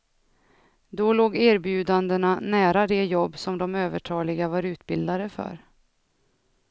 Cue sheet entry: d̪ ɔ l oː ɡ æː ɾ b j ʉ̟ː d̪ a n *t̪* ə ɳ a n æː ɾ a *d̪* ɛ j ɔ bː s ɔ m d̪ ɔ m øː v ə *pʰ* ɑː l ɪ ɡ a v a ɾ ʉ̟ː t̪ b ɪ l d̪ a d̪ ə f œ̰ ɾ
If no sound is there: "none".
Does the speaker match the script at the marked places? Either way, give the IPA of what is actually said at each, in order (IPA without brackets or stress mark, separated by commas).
d̪, d̪, ʈʰ